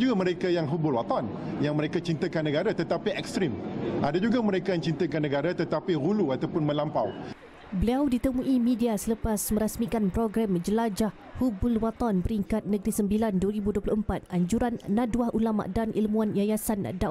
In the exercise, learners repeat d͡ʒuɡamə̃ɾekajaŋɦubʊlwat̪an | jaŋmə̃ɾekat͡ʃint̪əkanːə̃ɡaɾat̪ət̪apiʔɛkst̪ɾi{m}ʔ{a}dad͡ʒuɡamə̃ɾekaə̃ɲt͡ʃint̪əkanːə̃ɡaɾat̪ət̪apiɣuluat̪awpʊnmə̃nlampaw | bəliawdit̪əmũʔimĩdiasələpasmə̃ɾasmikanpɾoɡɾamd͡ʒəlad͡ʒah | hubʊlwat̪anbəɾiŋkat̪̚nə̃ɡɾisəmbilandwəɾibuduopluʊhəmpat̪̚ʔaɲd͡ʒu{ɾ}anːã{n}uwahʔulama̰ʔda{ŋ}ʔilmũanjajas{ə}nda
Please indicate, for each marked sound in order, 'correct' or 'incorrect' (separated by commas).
correct, correct, correct, incorrect, incorrect, incorrect